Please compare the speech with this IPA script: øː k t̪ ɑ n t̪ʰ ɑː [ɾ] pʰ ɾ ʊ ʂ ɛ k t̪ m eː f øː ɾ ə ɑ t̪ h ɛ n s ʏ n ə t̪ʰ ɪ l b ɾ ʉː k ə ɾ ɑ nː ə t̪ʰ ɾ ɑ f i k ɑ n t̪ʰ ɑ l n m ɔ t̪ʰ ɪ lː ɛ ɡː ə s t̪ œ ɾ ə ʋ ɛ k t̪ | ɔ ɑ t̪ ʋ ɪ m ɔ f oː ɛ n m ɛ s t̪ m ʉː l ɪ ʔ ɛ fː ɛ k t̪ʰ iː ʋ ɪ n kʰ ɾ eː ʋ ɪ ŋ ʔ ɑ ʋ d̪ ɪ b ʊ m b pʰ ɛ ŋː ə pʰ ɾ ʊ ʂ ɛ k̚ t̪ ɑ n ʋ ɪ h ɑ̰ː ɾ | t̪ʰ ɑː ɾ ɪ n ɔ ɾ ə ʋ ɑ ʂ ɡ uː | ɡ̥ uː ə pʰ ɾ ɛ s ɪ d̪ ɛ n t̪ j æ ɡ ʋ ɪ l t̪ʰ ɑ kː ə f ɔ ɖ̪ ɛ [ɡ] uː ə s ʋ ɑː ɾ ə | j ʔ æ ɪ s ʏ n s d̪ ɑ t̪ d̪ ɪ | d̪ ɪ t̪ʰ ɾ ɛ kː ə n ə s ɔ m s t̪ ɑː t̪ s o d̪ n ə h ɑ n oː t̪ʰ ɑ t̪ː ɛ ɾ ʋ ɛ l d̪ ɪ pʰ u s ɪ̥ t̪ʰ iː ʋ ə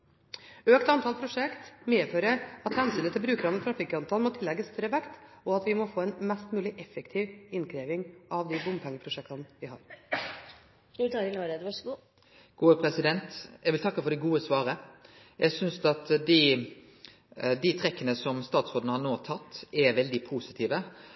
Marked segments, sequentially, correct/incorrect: incorrect: l, correct

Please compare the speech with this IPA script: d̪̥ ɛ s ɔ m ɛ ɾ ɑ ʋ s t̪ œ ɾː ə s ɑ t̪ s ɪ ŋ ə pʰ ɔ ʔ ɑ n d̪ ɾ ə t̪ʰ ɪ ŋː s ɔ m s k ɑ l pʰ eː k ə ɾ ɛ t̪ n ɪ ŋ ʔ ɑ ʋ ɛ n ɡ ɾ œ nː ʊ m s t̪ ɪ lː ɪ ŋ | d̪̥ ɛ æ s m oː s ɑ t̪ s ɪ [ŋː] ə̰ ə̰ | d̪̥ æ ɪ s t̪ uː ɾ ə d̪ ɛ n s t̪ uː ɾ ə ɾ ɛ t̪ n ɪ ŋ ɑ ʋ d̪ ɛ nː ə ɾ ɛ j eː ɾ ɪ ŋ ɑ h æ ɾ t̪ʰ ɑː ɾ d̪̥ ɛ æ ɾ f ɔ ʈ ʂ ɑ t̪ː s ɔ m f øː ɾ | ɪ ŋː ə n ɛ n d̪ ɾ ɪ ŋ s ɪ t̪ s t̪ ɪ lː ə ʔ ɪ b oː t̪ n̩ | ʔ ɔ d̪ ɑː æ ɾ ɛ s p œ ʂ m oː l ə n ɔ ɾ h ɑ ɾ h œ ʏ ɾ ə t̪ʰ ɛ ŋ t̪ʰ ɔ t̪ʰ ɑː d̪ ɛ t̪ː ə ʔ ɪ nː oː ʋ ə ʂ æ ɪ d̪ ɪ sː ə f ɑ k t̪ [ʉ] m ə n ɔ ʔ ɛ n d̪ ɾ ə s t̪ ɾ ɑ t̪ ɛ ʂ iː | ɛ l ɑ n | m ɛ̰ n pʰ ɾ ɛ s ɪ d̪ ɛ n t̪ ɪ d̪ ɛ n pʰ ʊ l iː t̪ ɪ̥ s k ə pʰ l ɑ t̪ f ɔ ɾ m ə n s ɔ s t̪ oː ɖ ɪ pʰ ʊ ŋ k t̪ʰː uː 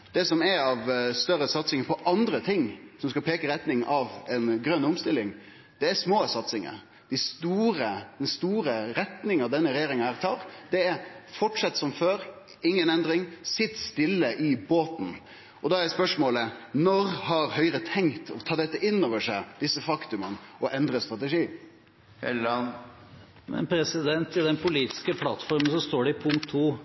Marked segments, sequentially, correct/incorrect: incorrect: ŋ, correct

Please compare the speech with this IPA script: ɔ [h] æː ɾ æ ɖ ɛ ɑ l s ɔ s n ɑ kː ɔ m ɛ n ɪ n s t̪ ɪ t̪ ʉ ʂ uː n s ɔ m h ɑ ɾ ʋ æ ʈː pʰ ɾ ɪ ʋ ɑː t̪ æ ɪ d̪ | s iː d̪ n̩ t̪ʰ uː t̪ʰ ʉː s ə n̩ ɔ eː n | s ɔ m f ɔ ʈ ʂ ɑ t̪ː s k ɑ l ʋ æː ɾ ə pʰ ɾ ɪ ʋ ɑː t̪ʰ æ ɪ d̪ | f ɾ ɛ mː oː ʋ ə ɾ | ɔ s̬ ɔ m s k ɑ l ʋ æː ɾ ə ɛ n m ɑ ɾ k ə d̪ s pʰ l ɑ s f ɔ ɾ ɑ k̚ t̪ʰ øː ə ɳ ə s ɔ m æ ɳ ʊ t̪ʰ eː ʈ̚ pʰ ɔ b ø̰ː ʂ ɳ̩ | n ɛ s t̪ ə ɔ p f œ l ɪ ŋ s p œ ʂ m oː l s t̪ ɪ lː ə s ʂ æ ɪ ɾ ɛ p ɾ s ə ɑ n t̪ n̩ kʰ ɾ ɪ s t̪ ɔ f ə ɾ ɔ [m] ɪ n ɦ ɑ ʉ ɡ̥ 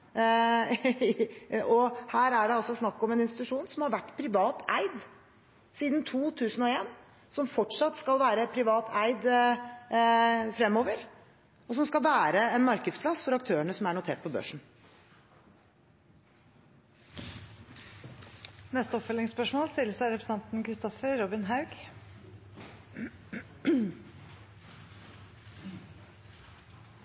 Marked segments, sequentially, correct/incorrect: correct, incorrect: b

